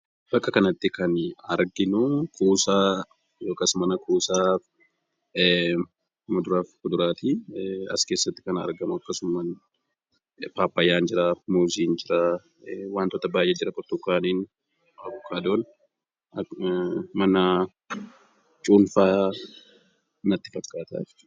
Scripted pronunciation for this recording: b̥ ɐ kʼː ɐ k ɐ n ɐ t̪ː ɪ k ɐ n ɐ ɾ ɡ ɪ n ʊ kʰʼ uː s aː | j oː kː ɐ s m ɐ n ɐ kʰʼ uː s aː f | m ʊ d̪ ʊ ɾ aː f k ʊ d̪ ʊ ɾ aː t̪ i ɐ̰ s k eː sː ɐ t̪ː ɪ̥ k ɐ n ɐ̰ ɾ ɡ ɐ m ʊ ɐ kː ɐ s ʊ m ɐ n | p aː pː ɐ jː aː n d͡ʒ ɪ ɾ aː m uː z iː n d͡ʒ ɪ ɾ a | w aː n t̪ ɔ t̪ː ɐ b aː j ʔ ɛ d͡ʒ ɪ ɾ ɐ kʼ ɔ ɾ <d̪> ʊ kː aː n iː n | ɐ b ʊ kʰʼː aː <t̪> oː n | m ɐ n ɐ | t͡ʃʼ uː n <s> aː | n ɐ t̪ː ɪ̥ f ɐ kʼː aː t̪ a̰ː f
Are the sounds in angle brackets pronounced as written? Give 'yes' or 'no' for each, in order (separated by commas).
no, no, no